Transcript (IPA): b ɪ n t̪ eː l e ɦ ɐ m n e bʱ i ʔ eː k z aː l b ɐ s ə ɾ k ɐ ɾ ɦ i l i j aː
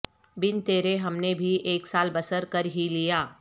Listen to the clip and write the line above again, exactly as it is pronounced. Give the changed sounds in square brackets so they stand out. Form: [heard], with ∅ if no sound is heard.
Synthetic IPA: b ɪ n t̪ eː [ɾ] e ɦ ɐ m n e bʱ i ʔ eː k [s] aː l b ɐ s ə ɾ k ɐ ɾ ɦ i l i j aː